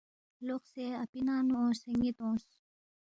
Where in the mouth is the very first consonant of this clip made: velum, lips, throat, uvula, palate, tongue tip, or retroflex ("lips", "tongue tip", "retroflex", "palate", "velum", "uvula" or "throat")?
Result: tongue tip